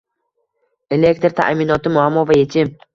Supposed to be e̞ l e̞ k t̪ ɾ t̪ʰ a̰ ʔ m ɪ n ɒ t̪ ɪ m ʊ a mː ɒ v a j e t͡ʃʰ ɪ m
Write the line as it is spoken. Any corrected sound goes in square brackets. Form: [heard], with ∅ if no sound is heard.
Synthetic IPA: e̞ l e̞ k t̪ ɾ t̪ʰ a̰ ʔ m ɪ n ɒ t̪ ɪ m ʊ a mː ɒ v a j e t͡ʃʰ ɪ m